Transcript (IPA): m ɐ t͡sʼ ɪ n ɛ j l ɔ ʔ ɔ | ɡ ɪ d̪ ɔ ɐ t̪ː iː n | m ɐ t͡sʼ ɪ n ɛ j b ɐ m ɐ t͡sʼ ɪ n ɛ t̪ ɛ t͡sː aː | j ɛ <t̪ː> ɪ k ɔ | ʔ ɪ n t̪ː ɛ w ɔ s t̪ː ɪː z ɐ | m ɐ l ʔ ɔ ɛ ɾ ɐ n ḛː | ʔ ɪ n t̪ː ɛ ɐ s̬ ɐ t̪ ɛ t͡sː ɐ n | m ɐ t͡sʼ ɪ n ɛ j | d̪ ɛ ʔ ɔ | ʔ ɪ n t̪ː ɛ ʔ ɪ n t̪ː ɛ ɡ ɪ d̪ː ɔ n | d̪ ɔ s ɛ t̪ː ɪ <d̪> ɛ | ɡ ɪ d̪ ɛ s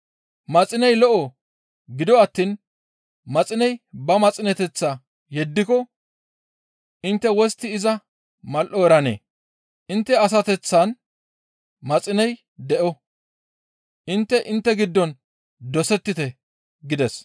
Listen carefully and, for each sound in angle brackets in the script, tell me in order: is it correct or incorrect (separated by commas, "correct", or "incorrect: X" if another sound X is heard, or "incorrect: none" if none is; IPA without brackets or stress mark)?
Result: incorrect: d̪ː, incorrect: t̪